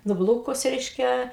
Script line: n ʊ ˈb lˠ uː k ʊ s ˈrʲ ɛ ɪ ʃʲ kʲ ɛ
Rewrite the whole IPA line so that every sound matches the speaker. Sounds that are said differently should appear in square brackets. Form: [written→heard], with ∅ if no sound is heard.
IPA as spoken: n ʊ ˈb lˠ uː k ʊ s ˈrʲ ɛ ɪ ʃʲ kʲ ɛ